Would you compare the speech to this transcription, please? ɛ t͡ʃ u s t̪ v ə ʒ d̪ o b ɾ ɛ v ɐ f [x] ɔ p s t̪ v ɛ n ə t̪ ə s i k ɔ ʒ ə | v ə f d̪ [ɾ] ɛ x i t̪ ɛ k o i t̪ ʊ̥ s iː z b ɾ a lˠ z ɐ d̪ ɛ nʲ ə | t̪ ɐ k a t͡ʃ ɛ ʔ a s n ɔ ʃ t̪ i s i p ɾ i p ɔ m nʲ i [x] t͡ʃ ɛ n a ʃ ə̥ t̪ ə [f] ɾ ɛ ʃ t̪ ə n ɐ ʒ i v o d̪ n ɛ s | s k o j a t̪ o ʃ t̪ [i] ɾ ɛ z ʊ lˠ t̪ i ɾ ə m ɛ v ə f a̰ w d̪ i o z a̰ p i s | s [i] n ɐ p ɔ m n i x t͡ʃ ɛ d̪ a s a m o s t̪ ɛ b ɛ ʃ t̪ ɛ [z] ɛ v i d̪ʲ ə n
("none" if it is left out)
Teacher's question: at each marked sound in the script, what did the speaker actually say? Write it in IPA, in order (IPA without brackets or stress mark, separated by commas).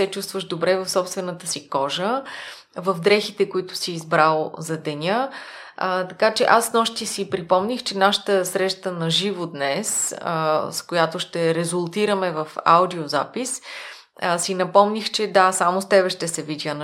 s, ɾ, x, s, ɛ, i, s